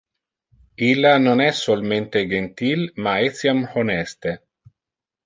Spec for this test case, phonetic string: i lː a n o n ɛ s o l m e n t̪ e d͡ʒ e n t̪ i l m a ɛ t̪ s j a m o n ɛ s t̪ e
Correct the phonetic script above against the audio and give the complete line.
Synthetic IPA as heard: i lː a n o n ɛ s o l m e n t̪ e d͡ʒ e n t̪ i l m a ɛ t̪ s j a m o n ɛ s t̪ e